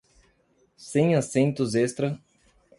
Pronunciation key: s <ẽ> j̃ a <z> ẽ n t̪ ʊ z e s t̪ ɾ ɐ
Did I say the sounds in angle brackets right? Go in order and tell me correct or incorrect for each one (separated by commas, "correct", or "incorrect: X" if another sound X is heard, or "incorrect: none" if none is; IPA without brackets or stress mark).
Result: correct, incorrect: s